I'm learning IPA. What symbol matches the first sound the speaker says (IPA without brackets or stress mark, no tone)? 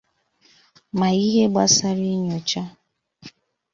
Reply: m